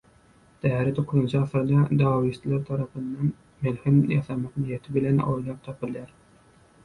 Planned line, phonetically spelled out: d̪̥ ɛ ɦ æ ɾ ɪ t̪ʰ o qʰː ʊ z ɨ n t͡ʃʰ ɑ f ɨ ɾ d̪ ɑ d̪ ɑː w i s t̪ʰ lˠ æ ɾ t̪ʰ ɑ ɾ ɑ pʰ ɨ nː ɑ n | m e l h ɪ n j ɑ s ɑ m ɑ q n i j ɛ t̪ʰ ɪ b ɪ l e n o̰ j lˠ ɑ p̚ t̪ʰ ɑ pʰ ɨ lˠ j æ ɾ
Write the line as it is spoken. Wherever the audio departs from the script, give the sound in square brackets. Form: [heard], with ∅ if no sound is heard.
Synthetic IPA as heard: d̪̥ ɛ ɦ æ ɾ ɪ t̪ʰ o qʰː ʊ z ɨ n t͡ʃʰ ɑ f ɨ ɾ d̪ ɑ d̪ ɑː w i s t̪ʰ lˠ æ ɾ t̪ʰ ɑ ɾ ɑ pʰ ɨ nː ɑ n | m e l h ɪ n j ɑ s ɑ m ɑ q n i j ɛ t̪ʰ ɪ b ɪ l [ɛ] n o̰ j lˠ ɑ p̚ t̪ʰ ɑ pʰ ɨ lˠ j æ ɾ